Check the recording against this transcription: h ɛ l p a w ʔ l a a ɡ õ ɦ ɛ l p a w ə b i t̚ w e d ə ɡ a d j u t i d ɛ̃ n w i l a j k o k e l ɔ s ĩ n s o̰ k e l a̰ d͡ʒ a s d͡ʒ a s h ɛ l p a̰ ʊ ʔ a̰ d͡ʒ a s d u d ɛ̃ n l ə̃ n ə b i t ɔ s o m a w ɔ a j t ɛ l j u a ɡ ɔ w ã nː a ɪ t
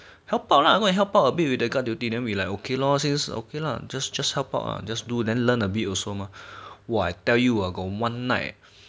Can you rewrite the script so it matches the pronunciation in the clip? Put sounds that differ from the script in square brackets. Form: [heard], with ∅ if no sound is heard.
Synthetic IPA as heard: h ɛ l p a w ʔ l a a ɡ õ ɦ ɛ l p a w ə b i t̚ w [i] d ə ɡ a d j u t i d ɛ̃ n w i l a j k o k e l ɔ s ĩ n s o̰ k e l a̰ d͡ʒ a s d͡ʒ a s h ɛ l p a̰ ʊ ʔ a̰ d͡ʒ a s d u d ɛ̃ n l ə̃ n ə b i t ɔ s o m a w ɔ a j t ɛ l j u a ɡ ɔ w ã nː a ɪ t

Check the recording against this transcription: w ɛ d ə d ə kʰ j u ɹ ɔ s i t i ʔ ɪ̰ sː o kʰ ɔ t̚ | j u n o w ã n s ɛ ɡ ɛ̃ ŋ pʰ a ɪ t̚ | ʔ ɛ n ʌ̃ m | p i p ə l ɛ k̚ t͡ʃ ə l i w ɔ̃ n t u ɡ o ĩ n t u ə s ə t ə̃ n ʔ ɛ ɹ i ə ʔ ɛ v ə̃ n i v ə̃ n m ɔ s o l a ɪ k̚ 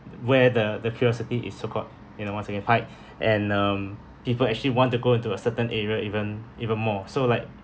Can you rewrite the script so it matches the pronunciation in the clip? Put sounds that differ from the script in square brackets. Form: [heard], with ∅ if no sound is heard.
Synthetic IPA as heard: w ɛ d ə d ə kʰ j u ɹ ɔ s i t i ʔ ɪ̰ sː o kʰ ɔ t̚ | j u n o w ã n s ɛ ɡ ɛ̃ [n] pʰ a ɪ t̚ | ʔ [ɛ̃] n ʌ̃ m | p i p ə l ɛ k̚ t͡ʃ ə l i w ɔ̃ n t u ɡ o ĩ n t u ə s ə t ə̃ n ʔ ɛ ɹ i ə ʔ [i] v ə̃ n i v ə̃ n m ɔ s o l a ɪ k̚

